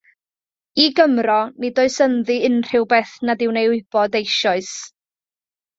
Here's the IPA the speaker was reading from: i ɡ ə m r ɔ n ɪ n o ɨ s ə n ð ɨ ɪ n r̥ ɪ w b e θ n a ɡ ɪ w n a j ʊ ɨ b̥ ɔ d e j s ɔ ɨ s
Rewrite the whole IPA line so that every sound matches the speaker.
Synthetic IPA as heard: i ɡ ə m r ɔ n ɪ d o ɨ s ə n ð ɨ ɪ n r̥ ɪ w b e θ n a d ɪ w n e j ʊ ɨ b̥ ɔ d e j ʃ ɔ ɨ s